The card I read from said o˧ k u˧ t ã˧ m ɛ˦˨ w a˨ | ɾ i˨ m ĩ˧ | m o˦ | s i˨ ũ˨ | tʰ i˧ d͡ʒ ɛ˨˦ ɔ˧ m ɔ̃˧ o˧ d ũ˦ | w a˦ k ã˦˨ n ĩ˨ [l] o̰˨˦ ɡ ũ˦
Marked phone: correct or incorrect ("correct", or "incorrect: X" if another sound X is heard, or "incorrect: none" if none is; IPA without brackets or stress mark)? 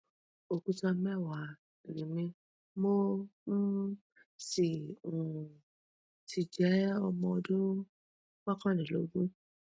correct